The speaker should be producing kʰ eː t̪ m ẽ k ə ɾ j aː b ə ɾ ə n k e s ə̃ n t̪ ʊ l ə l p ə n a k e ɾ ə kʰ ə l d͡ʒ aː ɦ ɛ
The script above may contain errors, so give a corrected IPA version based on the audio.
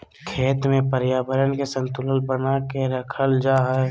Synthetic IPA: kʰ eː t̪ m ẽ p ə ɾ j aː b ə ɾ ə n k e s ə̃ n t̪ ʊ l ə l b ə n a k e ɾ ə kʰ ə l d͡ʒ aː ɦ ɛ

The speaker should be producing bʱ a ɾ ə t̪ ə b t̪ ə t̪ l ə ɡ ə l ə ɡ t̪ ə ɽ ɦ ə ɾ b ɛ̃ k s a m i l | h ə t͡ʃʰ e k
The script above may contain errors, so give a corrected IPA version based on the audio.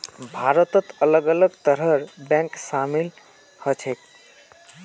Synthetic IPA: bʱ a ɾ ə t̪ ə t̪ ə l ə ɡ ə l ə ɡ t̪ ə ɾ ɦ ə ɾ b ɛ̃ k s a m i l | h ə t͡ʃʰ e k

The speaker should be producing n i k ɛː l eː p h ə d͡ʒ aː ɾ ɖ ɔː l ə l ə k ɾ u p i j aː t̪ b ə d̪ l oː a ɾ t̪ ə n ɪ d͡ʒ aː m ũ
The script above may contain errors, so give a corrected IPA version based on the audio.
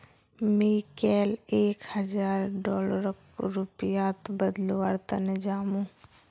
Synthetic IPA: m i k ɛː l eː k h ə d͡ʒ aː ɾ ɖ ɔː l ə ɾ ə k ɾ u p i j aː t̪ b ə d̪ l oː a ɾ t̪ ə n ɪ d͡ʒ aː m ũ

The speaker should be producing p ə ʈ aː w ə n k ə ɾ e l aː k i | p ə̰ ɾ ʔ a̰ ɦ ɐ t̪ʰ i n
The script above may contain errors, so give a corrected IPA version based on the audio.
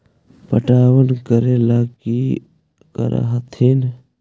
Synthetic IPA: p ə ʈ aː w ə n k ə ɾ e l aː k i | k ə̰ ɾ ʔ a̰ ɦ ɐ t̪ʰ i n

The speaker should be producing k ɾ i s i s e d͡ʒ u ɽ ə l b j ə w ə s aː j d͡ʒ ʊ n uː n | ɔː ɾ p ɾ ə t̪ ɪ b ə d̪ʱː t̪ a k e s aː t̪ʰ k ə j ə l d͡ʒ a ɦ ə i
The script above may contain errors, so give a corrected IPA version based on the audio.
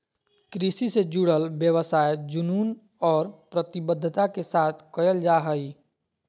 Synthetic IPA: k ɾ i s i s e d͡ʒ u ɽ ə l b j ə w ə s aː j d͡ʒ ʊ n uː n | ɔː ɾ p ɾ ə t̪ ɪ b ə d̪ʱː t̪ a k e s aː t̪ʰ k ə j ə l d͡ʒ a ɦ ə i

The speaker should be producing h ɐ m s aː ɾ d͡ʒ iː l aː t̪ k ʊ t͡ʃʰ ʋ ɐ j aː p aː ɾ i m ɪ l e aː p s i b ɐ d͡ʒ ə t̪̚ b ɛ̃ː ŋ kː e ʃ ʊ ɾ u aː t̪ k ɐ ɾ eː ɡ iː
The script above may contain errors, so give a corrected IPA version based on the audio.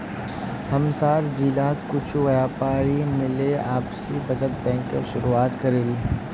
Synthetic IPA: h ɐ m s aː ɾ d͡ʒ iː l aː t̪ k ʊ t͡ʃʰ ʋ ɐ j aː p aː ɾ i m ɪ l e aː p s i b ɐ d͡ʒ ə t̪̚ b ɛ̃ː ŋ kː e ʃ ʊ ɾ u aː t̪ k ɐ ɾ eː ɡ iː

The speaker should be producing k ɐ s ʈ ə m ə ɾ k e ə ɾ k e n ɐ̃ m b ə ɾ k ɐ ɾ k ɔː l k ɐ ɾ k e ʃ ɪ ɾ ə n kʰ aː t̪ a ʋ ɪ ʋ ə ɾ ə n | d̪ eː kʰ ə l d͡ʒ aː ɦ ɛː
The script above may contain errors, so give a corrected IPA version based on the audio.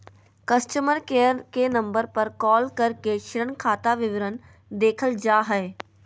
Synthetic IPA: k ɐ s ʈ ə m ə ɾ k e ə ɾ k e n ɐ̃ m b ə ɾ p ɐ ɾ k ɔː l k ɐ ɾ k e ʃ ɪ ɾ ə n kʰ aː t̪ a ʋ ɪ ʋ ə ɾ ə n | d̪ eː kʰ ə l d͡ʒ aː ɦ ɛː

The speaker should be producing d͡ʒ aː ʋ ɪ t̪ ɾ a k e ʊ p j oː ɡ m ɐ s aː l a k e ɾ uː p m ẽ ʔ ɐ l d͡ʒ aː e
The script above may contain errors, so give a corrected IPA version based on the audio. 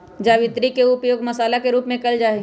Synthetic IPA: d͡ʒ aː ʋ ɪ t̪ ɾ i k e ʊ p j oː ɡ m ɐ s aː l a k e ɾ uː p m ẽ k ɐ l d͡ʒ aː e

